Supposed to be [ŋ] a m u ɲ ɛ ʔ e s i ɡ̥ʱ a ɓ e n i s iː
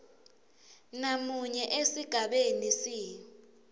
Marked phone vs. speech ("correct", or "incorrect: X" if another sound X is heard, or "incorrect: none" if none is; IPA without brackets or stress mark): incorrect: n